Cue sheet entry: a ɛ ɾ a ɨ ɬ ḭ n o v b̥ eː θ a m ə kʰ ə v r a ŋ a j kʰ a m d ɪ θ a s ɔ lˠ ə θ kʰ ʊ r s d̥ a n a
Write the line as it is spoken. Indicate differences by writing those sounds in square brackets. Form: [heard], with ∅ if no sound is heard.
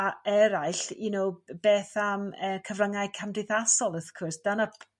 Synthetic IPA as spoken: a ɛ ɾ a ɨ ɬ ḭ n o [w] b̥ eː θ a m ə kʰ ə v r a ŋ a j kʰ a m d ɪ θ a s ɔ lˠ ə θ kʰ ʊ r s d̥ a n a